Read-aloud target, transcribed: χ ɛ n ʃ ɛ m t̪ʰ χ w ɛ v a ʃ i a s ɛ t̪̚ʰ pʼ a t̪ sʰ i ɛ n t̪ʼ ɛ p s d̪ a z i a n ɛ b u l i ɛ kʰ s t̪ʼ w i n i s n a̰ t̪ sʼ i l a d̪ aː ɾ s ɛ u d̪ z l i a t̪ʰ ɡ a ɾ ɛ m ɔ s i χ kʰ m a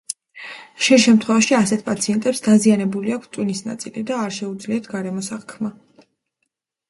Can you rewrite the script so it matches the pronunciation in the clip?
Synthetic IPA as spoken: ʃ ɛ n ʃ ɛ m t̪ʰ χ w ɛ v a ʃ i a s ɛ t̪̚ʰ pʼ a t̪ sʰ i ɛ n t̪ʼ ɛ p s d̪ a z i a n ɛ b u l i a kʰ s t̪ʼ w i n i s n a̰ t̪ sʼ i l i d̪ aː ɾ ʃ ɛ u d̪ z l i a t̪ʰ ɡ a ɾ ɛ m ɔ s a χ kʰ m a

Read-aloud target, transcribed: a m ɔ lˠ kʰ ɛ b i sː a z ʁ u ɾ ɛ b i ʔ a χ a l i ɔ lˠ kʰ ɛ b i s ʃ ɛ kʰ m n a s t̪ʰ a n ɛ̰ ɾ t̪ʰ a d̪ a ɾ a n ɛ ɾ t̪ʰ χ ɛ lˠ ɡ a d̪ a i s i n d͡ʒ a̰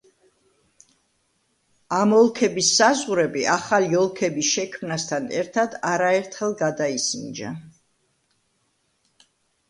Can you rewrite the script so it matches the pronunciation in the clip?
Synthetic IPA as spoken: a m ɔ lˠ kʰ ɛ b i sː a z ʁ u ɾ ɛ b i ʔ a χ a l i ɔ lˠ kʰ ɛ b i s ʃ ɛ kʰ m n a s t̪ʰ a n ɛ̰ ɾ t̪ʰ a d̪ a ɾ a ɛ ɾ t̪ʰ χ ɛ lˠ ɡ a d̪ a i s i n d͡ʒ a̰

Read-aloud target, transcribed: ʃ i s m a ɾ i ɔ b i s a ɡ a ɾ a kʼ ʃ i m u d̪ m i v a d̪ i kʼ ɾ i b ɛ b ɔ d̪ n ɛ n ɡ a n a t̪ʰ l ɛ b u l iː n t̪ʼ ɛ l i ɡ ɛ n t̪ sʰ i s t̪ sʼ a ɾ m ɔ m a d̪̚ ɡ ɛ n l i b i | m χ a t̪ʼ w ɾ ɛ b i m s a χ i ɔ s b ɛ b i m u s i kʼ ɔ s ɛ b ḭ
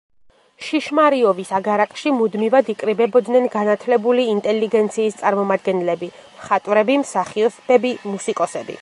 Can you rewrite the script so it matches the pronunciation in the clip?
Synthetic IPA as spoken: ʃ i ʃ m a ɾ i ɔ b i s a ɡ a ɾ a kʼ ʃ i m u d̪ m i v a d̪ i kʼ ɾ i b ɛ b ɔ d̪ n ɛ n ɡ a n a t̪ʰ l ɛ b u l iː n t̪ʼ ɛ l i ɡ ɛ n t̪ sʰ iː s t̪ sʼ a ɾ m ɔ m a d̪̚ ɡ ɛ n l ɛ b i | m χ a t̪ʼ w ɾ ɛ b i m s a χ i ɔ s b ɛ b i m u s i kʼ ɔ s ɛ b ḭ

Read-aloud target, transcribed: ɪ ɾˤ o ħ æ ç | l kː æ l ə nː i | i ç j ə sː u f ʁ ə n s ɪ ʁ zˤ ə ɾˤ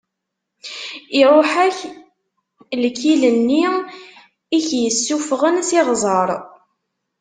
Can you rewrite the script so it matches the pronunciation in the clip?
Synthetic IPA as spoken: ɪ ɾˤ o ħ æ ç | l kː i l ə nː i | i ç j ə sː u f ʁ ə n s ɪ ʁ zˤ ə ɾˤ

